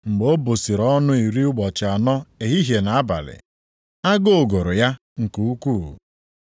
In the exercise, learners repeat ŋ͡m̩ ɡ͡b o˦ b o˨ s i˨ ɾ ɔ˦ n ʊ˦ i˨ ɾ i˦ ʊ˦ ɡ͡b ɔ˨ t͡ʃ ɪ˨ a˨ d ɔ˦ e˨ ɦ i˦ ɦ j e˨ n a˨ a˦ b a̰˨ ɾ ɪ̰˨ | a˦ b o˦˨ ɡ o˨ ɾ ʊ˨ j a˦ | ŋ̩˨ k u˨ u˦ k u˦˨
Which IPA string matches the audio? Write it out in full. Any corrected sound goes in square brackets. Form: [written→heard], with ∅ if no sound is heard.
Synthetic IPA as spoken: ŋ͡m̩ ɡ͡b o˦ b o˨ s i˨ ɾ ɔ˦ n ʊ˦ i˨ ɾ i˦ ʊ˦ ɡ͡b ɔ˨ t͡ʃ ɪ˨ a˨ [d→n] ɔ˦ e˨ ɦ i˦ ɦ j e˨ n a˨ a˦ b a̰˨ [ɾ→l] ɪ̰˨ | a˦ [b→ɡ] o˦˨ ɡ o˨ ɾ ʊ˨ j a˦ | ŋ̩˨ k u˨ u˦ k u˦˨

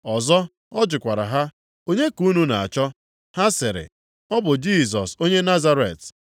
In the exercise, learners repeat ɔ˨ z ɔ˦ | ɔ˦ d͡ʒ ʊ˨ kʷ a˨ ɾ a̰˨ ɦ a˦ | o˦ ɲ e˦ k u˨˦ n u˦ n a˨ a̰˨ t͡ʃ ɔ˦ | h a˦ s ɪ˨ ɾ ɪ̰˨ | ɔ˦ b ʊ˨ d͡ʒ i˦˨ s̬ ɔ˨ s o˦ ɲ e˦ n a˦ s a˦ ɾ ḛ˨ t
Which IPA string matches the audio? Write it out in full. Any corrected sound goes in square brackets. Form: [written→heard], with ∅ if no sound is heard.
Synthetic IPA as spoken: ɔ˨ z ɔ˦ | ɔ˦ d͡ʒ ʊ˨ kʷ a˨ ɾ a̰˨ ɦ a˦ | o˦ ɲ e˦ k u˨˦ n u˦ n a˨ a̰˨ t͡ʃ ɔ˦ | h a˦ s ɪ˨ ɾ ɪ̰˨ | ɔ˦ b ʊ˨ d͡ʒ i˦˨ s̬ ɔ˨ s o˦ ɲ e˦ n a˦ [s→z] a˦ ɾ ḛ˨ t

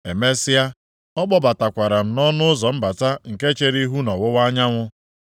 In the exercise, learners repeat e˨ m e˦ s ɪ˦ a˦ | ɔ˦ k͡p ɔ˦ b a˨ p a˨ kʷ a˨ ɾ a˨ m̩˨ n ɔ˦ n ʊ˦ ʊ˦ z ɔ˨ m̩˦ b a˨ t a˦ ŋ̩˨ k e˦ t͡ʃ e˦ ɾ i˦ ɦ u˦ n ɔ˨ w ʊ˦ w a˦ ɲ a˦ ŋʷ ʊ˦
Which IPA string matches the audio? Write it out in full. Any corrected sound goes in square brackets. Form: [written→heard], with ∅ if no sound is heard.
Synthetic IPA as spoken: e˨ m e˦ s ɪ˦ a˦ | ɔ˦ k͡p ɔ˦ b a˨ [p→t] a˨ kʷ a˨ ɾ a˨ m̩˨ n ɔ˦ n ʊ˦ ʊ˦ z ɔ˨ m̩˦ b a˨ t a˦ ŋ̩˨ k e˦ t͡ʃ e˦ ɾ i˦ ɦ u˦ n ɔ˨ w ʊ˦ w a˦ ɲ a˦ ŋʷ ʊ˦

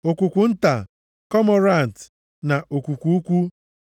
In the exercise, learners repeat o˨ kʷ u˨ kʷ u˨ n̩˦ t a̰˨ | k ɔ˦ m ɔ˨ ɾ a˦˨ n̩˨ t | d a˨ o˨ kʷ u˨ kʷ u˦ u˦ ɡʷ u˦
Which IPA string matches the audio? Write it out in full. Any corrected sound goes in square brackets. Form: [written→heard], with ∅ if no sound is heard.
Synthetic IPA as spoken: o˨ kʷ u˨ kʷ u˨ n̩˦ t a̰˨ | k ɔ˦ m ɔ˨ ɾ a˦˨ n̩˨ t | [d→n] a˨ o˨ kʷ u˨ kʷ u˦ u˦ [ɡʷ→kʷ] u˦

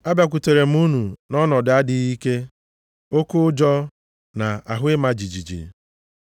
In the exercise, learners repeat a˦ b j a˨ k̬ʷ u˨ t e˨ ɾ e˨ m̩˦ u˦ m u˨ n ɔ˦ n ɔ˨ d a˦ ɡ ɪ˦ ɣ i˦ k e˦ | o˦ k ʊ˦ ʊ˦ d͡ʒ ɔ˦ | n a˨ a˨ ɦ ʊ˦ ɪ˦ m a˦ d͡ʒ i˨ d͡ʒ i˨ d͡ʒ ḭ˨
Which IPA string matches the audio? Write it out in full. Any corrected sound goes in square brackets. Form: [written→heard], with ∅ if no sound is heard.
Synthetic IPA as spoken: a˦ b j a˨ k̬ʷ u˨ t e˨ ɾ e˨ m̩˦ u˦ [m→n] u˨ n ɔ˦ n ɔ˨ d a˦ [ɡ→d] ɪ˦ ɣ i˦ k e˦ | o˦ k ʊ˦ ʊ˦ d͡ʒ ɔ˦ | n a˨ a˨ ɦ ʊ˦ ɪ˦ m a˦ d͡ʒ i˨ d͡ʒ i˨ d͡ʒ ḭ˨

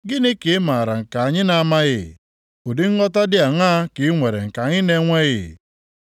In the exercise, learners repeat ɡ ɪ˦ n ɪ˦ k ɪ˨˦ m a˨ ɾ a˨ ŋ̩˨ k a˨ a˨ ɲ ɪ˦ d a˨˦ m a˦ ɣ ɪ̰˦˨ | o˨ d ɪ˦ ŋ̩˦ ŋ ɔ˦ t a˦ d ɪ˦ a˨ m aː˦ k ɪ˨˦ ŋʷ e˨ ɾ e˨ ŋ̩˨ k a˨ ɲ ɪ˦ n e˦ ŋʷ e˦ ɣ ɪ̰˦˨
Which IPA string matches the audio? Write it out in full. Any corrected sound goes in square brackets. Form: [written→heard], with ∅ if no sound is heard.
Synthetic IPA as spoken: ɡ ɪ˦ n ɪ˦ k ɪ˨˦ m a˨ ɾ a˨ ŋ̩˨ k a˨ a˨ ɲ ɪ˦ [d→n] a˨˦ m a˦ ɣ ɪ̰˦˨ | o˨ d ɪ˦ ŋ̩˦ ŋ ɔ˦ t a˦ d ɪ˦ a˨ [m→ŋ] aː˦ k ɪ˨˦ ŋʷ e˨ ɾ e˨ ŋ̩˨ k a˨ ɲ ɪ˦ n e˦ ŋʷ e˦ ɣ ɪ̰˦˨

